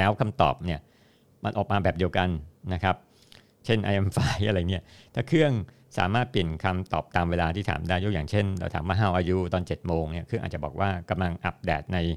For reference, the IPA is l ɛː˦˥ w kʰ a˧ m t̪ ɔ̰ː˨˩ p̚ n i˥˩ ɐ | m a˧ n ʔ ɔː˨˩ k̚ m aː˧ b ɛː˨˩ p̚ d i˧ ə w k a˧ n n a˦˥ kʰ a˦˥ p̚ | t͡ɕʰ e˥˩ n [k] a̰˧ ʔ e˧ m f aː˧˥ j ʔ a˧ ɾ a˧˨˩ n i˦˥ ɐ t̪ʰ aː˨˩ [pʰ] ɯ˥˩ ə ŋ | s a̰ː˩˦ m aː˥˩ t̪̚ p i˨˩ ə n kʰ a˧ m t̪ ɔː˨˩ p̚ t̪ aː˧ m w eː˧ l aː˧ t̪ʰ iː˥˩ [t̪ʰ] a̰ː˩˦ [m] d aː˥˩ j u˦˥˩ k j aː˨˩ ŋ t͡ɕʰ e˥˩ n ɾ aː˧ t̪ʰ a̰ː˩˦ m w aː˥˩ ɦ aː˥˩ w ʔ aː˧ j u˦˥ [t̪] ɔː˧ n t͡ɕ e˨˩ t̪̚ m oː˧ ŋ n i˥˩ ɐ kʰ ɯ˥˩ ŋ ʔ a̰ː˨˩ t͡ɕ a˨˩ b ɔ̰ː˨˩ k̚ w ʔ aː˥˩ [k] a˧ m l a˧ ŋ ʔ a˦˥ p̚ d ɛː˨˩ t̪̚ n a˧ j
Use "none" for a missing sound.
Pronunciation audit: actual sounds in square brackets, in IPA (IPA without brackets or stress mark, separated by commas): ʔ, kʰ, t̪ʰ, m, t̪, k